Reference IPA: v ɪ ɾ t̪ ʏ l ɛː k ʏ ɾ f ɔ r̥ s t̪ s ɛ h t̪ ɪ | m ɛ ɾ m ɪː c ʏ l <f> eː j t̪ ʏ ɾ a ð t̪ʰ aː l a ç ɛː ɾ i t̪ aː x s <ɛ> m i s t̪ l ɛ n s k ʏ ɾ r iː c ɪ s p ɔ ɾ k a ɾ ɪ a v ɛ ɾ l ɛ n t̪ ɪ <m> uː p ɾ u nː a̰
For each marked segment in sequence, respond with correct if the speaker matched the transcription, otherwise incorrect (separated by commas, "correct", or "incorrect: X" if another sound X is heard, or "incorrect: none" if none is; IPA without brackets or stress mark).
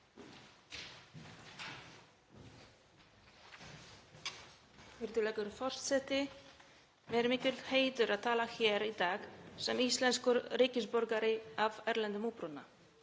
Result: incorrect: h, correct, correct